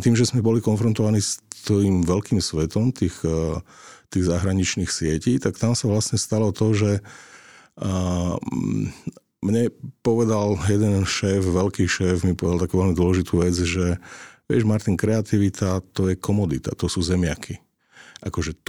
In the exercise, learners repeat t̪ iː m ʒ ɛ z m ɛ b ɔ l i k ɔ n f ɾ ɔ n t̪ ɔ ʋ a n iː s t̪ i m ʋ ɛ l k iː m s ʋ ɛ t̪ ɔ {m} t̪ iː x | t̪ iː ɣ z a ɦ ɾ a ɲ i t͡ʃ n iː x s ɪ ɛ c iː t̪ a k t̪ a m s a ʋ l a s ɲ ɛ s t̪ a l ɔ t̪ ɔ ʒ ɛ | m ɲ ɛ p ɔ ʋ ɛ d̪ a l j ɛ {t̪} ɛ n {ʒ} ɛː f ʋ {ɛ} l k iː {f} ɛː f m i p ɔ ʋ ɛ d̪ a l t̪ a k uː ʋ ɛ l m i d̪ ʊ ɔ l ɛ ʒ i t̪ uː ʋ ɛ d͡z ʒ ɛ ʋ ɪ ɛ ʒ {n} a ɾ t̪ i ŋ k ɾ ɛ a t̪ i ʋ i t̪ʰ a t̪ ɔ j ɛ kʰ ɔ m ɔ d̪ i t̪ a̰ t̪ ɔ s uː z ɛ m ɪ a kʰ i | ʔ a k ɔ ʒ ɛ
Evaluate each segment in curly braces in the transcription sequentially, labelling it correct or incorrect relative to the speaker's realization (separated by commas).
correct, incorrect, incorrect, correct, incorrect, incorrect